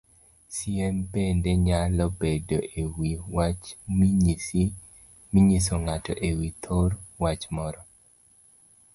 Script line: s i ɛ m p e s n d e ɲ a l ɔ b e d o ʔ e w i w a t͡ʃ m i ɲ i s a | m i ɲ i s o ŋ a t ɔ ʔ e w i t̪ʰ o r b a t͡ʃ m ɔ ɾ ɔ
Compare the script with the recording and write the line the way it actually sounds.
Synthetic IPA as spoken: s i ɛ m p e n d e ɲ a l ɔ b e d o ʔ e w i w a t͡ʃ m i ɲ i s i | m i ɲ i s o ŋ a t ɔ ʔ e w i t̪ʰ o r w a t͡ʃ m ɔ ɾ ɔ